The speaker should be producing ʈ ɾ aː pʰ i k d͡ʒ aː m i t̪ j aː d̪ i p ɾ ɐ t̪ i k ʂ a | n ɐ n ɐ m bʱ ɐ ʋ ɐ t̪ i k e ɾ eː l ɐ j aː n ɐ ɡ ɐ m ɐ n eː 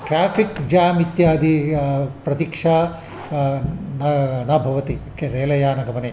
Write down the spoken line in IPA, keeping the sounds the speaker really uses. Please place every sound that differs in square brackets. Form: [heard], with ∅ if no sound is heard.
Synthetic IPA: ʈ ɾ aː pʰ i k d͡ʒ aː m i t̪ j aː d̪ i p ɾ ɐ t̪ i k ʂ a | n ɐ n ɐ [∅] bʱ ɐ ʋ ɐ t̪ i k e ɾ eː l ɐ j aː n ɐ ɡ ɐ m ɐ n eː

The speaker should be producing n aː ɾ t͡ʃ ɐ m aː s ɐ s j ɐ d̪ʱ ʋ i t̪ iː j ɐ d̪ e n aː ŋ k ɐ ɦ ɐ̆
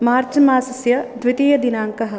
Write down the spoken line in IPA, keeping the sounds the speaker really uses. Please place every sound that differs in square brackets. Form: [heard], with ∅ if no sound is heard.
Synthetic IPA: [m] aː ɾ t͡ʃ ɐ m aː s ɐ s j ɐ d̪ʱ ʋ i t̪ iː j ɐ d̪ [i] n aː ŋ k ɐ ɦ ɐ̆

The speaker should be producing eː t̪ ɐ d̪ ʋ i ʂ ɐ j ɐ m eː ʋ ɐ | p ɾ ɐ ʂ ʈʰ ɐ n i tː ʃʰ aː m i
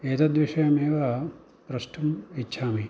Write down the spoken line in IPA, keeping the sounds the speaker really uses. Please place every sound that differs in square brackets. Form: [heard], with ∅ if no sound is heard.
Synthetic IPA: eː t̪ ɐ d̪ ʋ i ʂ ɐ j ɐ m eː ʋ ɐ | p ɾ ɐ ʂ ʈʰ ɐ [m] i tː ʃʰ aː m i

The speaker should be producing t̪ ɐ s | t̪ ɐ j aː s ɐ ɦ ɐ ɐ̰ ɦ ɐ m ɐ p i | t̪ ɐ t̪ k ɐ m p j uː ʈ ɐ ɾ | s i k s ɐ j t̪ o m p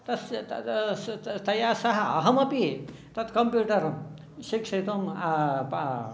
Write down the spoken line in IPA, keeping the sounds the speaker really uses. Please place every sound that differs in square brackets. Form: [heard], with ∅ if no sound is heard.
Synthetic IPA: t̪ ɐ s | t̪ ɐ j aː s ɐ ɦ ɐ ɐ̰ ɦ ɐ m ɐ p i | t̪ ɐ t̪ k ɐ m p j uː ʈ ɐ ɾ | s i k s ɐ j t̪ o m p

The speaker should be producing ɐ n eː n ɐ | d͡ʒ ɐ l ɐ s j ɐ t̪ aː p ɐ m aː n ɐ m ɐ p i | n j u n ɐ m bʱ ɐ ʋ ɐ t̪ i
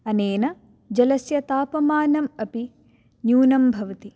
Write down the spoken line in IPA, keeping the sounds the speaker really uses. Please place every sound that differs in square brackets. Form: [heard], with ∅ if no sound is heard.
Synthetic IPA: ɐ n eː n ɐ | d͡ʒ ɐ l ɐ s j ɐ t̪ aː p ɐ m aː n ɐ m ɐ p i | n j [uː] n ɐ m bʱ ɐ ʋ ɐ t̪ i

